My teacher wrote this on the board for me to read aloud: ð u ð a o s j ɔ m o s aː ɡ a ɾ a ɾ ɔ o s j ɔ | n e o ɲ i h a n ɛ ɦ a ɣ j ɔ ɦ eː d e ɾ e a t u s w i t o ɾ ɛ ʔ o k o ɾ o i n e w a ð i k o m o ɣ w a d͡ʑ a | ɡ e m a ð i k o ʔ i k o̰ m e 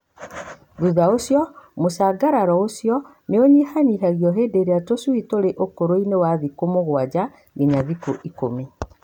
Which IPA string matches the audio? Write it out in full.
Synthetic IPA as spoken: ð u ð a o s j ɔ m o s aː ɡ a ɾ a ɾ ɔ o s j ɔ | n e o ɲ i h a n i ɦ a ɣ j ɔ ɦ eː d e ɾ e a t o s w i t o ɾ e ʔ o k o ɾ o i n e w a ð i k o m o ɣ w a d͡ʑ a | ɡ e ɲ a ð i k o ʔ i k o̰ m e